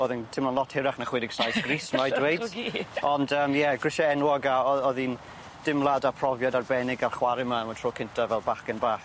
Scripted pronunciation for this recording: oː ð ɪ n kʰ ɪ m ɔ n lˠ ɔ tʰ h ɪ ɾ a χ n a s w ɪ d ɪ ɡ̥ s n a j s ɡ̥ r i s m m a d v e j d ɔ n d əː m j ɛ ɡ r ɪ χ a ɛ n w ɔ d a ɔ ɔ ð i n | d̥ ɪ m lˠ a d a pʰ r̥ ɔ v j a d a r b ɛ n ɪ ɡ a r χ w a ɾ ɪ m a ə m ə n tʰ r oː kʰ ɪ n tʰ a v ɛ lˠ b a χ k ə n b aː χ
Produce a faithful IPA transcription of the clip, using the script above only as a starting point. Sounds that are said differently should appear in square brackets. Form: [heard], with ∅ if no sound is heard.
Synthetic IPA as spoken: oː ð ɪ n [tʰ] ɪ m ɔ n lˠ ɔ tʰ h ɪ ɾ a χ n a [χ] w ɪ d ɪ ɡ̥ s n a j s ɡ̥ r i s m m a d [w] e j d ɔ n d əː m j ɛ ɡ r ɪ [ʃ] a ɛ n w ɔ [ɡ] a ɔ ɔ ð i n | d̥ ɪ m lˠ a d a pʰ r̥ ɔ v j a d a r b ɛ n ɪ ɡ a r χ w a ɾ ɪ m a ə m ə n tʰ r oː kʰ ɪ n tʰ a v ɛ lˠ b a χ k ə n b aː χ